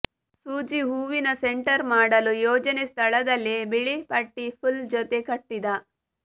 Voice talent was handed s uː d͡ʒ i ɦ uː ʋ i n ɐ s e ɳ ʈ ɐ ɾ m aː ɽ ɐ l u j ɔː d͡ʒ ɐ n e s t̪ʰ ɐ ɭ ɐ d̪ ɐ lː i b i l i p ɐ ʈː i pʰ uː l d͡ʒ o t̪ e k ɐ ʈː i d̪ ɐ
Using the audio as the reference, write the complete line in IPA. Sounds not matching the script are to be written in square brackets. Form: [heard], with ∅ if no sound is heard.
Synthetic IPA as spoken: s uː d͡ʒ i ɦ uː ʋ i n ɐ s e ɳ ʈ ɐ ɾ m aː ɽ ɐ l u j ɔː d͡ʒ ɐ n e s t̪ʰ ɐ ɭ ɐ d̪ ɐ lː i b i [ɭ] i p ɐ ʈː i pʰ [u] l d͡ʒ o t̪ e k ɐ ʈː i d̪ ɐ